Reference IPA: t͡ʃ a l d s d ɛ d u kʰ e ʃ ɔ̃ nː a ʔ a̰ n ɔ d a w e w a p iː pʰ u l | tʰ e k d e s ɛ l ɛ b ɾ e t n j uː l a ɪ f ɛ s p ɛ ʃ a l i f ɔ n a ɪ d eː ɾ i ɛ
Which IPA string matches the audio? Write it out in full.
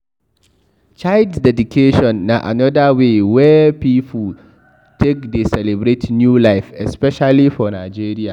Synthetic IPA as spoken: t͡ʃ a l d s d ɛ d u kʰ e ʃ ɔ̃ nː a ʔ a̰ n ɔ d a w e w ɛ p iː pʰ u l | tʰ e k d e s ɛ l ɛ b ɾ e t n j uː l a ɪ f ɛ s p ɛ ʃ a l i f ɔ n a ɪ d͡ʒ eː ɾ i a